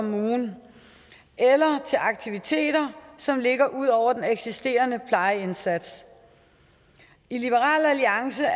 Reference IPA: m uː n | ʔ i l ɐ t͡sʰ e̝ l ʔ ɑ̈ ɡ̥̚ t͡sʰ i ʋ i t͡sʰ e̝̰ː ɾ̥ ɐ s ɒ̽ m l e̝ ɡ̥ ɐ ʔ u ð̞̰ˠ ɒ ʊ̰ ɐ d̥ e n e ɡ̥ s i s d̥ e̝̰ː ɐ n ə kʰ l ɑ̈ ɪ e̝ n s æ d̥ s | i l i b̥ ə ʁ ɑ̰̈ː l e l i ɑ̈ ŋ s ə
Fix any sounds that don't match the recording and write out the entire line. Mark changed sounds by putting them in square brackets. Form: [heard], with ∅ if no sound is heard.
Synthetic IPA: m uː n | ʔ [e] l ɐ t͡sʰ e̝ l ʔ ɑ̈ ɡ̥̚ t͡sʰ i ʋ i t͡sʰ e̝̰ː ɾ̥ ɐ s ɒ̽ m l e̝ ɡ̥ ɐ ʔ u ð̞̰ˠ ɒ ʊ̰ ɐ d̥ e n e ɡ̥ s i s d̥ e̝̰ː ɐ n ə [pʰ] l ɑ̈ ɪ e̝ n s æ d̥ s | i l i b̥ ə ʁ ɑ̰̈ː l [æ] l i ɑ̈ ŋ s ə